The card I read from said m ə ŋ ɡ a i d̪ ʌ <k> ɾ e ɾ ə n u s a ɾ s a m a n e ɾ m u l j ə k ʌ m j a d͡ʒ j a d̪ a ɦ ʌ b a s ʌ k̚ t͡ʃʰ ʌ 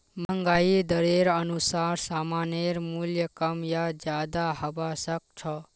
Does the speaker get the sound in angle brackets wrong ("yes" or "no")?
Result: yes